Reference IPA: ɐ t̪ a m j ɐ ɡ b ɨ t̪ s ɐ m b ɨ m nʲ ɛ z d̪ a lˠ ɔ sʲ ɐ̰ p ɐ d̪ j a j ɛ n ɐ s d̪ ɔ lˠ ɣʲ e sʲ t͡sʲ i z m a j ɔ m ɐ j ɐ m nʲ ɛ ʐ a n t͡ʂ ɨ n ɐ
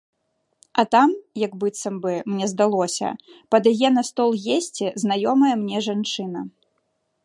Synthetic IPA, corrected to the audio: ɐ t̪ a m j ɐ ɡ b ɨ t̪ s ɐ m b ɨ m nʲ ɛ z d̪ a lˠ ɔ sʲ ɐ̰ p ɐ d̪ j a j ɛ n ɐ s t̪ ɔ lˠ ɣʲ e sʲ t͡sʲ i z n a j ɔ m ɐ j ɐ m nʲ ɛ ʐ a n t͡ʂ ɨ n ɐ